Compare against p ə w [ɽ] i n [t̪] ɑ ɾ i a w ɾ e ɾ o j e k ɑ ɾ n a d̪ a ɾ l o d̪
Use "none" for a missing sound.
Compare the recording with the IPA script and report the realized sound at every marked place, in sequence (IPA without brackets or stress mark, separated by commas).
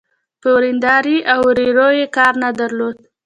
ɾ, d̪